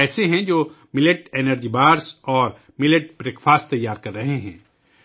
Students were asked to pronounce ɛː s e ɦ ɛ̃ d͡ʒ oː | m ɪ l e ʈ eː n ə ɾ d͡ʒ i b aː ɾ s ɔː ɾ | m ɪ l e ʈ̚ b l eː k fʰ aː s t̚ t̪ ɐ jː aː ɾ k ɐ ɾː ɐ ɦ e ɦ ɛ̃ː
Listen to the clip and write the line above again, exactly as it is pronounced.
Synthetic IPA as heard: ɛː s e ɦ ɛ̃ d͡ʒ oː | m ɪ l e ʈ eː n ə ɾ d͡ʒ i b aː ɾ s ɔː ɾ | m ɪ l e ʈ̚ b ɾ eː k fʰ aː s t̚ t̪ ɐ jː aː ɾ k ɐ ɾː ɐ ɦ e ɦ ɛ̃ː